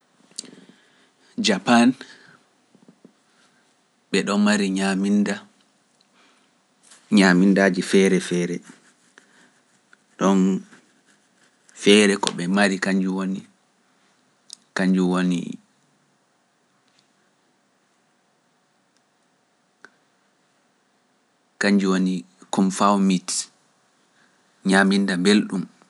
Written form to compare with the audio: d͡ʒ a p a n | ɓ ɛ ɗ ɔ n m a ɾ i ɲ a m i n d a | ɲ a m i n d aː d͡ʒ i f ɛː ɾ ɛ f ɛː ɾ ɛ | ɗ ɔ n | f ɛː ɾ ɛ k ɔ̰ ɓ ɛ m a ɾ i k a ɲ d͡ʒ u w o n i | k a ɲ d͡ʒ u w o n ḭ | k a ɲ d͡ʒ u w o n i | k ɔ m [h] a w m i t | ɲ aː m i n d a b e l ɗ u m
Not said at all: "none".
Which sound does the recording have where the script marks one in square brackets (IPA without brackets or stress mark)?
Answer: f